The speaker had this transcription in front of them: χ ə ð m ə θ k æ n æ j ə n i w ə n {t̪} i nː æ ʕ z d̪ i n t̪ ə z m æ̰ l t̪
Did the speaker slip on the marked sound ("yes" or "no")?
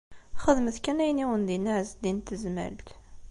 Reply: yes